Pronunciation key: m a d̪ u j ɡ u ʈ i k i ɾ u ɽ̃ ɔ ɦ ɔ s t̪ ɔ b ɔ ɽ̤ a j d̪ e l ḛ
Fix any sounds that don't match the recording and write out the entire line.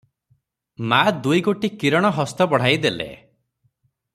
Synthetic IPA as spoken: m a d̪ u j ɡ o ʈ i k i ɾ ɔ ɽ̃ ɔ ɦ ɔ s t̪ ɔ b ɔ ɽ̤ a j d̪ e l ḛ